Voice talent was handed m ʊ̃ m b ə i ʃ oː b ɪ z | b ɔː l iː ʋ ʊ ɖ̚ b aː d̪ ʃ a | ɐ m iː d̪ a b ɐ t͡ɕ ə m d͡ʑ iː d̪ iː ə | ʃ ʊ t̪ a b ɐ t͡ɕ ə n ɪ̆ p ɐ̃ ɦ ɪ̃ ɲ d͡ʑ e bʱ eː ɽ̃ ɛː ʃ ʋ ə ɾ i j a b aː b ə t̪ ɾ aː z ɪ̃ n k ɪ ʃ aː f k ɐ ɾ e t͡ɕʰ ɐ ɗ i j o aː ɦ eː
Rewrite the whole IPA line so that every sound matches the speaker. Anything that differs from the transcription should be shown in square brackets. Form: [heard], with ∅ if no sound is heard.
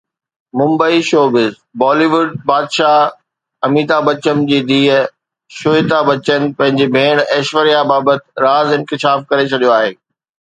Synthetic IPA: m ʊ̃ m b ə i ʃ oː b ɪ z | b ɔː l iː ʋ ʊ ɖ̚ b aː d̪ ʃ a | ɐ m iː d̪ a b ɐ t͡ɕ ə m d͡ʑ iː d̪ iː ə | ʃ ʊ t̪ a b ɐ t͡ɕ ə n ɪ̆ p ɐ̃ ɦ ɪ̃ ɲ d͡ʑ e bʱ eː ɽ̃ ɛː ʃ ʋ ə ɾ i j a b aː b ə t̪ ɾ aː z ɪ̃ n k ɪ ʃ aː f k ɐ ɾ e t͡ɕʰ ɐ ɗ i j o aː ɦ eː